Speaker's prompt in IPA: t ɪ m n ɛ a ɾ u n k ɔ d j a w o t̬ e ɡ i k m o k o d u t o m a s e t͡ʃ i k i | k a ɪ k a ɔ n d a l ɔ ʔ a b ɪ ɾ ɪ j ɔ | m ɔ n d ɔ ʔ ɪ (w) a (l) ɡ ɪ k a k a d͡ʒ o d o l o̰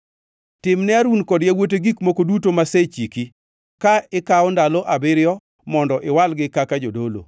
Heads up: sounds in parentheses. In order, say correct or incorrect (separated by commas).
correct, correct